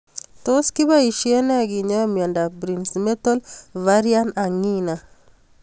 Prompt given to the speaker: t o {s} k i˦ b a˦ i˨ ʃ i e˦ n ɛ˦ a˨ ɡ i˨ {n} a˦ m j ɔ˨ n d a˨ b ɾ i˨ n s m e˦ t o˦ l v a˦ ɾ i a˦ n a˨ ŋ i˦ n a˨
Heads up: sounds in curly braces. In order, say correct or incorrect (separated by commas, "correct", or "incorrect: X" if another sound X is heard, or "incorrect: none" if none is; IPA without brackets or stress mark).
correct, incorrect: ɲ